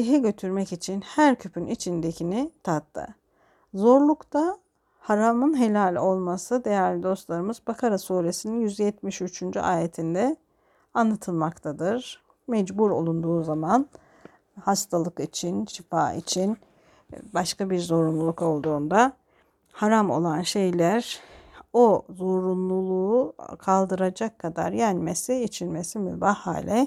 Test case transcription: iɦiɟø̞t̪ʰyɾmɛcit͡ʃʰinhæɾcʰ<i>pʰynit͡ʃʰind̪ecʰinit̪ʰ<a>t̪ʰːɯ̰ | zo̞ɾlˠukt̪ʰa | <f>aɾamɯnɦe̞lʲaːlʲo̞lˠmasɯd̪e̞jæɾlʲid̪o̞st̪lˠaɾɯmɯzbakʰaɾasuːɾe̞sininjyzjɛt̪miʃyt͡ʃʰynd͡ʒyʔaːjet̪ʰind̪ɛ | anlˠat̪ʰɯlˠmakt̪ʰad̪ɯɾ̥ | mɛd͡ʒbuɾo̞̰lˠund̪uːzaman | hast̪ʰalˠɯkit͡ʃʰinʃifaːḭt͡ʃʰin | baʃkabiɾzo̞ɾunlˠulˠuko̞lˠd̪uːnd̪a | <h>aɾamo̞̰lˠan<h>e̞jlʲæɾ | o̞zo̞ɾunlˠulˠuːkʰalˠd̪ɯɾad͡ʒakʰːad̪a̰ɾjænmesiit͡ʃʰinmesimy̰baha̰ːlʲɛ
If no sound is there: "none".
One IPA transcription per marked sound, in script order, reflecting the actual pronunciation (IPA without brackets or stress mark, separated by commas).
y, a, h, h, ʃ